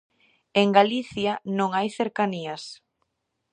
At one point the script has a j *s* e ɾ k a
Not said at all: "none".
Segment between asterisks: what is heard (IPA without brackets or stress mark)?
θ